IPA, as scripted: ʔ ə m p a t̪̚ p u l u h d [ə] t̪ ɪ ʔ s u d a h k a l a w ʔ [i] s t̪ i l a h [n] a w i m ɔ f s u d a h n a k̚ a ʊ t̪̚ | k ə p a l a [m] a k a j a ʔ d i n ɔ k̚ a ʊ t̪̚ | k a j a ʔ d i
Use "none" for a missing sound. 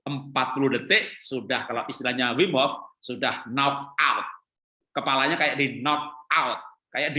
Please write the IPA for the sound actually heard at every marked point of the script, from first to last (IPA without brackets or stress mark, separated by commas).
ə, i, ɲ, ɲ